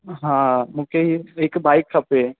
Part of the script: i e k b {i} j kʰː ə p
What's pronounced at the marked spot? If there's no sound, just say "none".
a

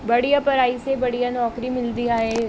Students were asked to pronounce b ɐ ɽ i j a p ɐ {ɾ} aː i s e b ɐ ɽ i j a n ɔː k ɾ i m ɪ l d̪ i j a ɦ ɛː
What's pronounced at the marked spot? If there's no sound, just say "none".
ɾ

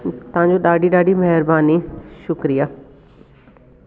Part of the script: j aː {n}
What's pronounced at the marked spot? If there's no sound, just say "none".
none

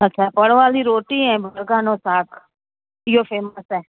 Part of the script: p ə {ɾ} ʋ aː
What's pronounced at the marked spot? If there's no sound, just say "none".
ɽ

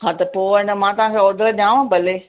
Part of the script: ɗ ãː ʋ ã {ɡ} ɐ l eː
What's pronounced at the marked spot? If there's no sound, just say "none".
b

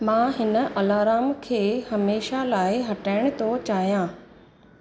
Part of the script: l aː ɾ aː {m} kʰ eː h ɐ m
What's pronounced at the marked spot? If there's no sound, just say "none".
m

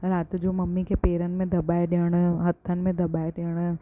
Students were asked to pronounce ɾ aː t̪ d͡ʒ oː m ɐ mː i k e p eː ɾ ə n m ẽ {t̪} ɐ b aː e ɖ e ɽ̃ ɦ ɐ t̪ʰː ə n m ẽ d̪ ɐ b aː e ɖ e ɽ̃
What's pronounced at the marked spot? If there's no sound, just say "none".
d̪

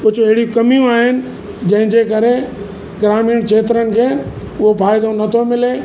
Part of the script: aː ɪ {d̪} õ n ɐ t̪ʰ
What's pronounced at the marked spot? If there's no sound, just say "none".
d̪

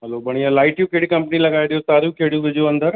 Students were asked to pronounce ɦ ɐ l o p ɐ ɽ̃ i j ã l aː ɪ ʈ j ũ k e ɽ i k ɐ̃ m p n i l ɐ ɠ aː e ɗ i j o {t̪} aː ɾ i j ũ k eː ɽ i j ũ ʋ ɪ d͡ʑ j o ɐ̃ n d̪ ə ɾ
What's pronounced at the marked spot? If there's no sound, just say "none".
t̪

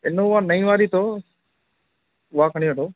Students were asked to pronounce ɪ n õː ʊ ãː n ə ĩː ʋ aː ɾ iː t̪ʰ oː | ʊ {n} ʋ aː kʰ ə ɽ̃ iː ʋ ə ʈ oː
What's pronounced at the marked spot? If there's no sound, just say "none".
none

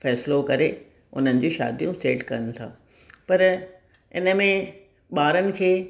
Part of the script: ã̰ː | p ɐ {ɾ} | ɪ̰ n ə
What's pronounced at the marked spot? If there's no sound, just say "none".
ɾ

